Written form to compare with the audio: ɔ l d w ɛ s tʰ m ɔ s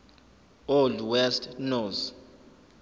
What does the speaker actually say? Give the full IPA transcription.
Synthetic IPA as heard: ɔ l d w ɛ s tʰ n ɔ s